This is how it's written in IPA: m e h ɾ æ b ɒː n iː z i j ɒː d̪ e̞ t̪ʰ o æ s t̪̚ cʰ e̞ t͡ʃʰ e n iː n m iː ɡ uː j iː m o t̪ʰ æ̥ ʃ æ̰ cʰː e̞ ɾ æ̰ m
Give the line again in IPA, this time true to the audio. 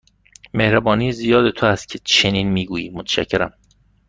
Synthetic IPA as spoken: m e h ɾ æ b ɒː n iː z i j ɒː d̪ e̞ t̪ʰ o æ s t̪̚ cʰ e̞ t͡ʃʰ e n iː n m iː ɡ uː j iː m o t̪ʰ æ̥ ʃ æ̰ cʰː e̞ ɾ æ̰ m